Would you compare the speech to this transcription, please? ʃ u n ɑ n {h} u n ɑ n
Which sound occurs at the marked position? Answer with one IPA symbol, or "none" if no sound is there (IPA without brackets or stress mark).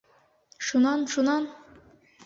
ʃ